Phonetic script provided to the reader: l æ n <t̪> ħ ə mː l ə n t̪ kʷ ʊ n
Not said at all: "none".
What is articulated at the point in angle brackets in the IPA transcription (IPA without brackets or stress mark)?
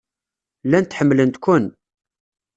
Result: t̪